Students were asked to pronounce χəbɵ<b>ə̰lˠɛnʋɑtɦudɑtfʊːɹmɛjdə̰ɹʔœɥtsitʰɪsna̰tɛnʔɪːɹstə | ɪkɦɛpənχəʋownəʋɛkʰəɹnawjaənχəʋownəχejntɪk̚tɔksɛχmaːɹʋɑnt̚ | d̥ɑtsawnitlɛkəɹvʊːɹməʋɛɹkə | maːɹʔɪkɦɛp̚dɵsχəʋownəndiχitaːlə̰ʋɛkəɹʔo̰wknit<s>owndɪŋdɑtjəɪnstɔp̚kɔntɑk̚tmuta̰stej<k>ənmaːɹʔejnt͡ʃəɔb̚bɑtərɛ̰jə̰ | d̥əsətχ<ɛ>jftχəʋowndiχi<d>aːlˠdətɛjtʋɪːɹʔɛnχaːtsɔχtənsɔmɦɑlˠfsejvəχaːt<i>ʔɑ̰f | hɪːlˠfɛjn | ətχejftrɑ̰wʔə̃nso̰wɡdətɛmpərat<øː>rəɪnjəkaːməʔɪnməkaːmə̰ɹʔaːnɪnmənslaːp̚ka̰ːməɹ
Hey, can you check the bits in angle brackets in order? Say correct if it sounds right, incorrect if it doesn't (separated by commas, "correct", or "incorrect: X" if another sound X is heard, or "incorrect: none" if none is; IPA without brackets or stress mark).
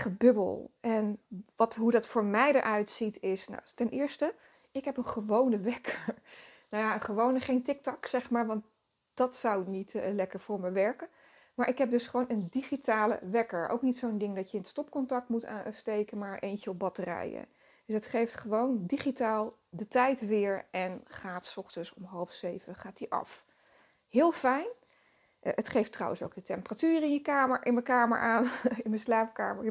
correct, correct, correct, incorrect: e, incorrect: t, correct, incorrect: yː